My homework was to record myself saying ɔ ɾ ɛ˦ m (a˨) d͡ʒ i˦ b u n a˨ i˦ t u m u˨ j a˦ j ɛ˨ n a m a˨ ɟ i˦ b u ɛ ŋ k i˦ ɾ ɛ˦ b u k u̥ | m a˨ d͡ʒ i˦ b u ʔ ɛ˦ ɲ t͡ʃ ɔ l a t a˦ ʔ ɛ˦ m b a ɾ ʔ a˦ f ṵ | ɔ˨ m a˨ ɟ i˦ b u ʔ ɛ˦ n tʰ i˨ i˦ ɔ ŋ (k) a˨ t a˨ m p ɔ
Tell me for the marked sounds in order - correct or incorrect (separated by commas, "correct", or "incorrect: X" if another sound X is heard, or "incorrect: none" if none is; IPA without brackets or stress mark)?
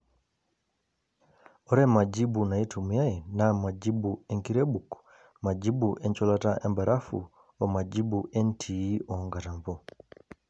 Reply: correct, incorrect: ɡ